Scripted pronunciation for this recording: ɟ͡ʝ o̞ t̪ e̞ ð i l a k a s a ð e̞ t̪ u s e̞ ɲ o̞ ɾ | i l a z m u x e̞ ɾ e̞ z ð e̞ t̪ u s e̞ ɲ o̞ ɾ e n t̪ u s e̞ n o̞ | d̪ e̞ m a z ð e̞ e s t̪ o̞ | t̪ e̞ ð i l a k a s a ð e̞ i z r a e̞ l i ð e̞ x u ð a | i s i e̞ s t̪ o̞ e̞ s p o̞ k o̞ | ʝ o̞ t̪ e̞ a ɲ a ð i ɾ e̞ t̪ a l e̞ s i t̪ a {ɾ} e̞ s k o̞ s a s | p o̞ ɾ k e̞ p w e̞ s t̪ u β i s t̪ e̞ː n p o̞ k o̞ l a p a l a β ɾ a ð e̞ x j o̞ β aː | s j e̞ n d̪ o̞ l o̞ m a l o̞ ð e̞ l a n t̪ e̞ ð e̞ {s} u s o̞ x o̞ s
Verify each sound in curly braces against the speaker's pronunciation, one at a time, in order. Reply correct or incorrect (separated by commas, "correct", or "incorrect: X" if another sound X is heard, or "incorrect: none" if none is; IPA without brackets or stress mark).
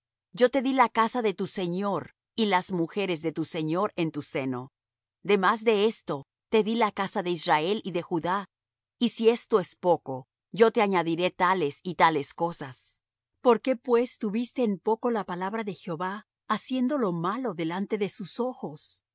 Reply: incorrect: l, correct